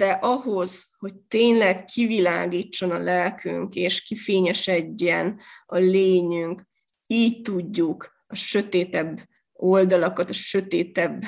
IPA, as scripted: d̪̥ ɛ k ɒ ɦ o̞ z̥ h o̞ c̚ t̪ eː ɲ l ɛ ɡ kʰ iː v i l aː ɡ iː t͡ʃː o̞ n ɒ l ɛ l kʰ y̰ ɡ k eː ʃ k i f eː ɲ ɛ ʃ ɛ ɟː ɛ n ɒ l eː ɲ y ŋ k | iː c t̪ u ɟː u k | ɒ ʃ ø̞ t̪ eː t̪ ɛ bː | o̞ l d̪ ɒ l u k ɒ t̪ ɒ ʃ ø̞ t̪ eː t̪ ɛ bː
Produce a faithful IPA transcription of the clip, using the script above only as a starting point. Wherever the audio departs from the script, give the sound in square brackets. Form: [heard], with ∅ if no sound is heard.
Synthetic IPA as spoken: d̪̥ ɛ [ʔ] ɒ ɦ o̞ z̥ h o̞ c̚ t̪ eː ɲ l ɛ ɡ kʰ [i] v i l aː ɡ iː t͡ʃː o̞ n ɒ l ɛ l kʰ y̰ [ŋ] k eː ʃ k i f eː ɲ ɛ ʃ ɛ ɟː ɛ n ɒ l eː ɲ y ŋ k | iː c t̪ u ɟː u k | ɒ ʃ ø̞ t̪ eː t̪ ɛ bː | o̞ l d̪ ɒ l [ɒ] k ɒ t̪ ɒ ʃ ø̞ t̪ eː t̪ ɛ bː